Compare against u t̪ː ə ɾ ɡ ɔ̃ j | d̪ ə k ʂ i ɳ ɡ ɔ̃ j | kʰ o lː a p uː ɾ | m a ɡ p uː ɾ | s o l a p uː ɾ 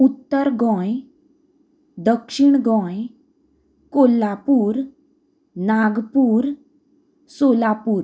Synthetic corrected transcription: u t̪ː ə ɾ ɡ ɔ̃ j | d̪ ə k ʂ i ɳ ɡ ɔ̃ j | k o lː a p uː ɾ | n a ɡ p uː ɾ | s o l a p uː ɾ